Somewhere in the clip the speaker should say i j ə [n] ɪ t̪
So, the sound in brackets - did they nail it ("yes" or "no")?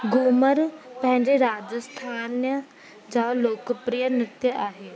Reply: yes